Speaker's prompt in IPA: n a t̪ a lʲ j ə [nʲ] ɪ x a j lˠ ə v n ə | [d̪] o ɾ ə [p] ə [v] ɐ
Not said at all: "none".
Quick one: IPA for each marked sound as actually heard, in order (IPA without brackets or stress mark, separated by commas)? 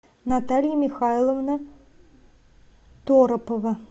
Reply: mʲ, t̪, p, v